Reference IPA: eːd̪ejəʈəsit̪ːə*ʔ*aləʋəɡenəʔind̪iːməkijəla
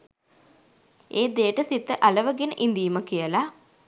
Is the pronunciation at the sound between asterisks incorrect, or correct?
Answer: correct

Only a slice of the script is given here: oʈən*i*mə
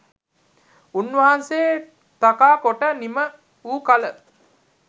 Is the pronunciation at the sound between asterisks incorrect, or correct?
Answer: correct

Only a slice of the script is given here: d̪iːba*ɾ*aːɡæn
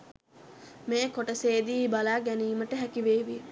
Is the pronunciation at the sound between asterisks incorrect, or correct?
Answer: incorrect: l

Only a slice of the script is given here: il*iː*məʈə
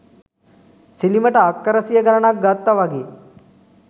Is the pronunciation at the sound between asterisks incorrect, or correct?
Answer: incorrect: i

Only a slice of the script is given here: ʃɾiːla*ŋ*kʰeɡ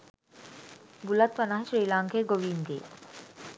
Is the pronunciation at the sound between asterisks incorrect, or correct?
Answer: correct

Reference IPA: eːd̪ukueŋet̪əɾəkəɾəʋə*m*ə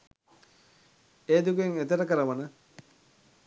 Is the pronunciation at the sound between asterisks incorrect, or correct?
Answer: incorrect: n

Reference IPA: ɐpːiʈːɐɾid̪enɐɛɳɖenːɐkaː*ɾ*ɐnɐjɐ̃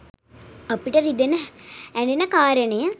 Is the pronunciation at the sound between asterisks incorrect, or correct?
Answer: correct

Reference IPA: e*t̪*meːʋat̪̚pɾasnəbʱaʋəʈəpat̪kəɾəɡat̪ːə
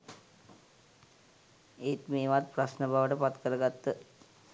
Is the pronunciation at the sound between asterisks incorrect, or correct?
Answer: correct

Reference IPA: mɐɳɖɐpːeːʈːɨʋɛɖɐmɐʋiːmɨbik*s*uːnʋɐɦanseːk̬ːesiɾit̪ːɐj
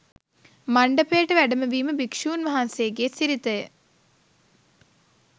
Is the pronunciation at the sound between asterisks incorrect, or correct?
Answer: incorrect: ʂ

